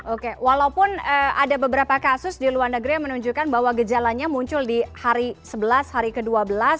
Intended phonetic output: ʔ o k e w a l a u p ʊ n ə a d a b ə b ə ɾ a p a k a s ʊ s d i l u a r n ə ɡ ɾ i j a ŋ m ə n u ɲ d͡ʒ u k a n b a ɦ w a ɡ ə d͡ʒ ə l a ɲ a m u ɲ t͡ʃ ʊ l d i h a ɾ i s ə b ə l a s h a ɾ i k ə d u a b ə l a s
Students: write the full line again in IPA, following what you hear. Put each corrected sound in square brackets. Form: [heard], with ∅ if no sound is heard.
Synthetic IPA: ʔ o k e w a l a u p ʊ n ə a d a b ə b ə ɾ a p a k a s ʊ s d i l u a r n ə ɡ ɾ i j a ŋ m ə n u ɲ d͡ʒ u k a n b a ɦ w a ɡ ə d͡ʒ [a] l a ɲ a m u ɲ t͡ʃ ʊ l d i h a ɾ i s ə b ə l a s h a ɾ i k ə d u a b ə l a s